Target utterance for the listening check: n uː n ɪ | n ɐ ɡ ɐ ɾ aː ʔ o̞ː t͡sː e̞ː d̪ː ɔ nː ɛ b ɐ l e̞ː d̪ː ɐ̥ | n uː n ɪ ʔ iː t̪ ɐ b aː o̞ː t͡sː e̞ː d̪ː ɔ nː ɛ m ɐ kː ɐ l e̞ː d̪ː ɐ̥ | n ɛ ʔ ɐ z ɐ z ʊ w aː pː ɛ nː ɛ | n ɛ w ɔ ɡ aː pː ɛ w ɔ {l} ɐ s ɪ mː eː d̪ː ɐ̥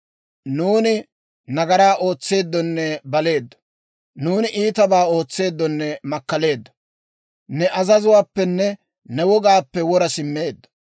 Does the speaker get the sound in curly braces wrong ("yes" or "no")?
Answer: yes